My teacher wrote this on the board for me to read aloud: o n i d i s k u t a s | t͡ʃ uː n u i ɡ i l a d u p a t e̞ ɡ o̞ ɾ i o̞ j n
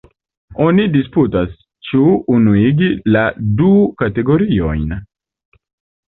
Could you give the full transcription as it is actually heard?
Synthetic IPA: o n i d i s p u t a s | t͡ʃ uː n u i ɡ i l a d u k a t e̞ ɡ o̞ ɾ i o̞ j n